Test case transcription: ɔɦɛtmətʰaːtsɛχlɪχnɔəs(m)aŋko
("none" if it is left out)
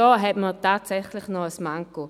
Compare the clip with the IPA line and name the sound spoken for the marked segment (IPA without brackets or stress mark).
m